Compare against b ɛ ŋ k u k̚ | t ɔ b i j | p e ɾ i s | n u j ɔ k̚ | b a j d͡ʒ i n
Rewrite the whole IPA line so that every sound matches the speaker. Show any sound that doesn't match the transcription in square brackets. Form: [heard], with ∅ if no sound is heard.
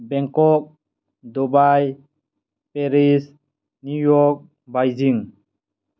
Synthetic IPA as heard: b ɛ ŋ k [ɔ] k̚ | [d] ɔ b [a] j | p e ɾ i s | n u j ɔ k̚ | b a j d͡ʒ i [ŋ]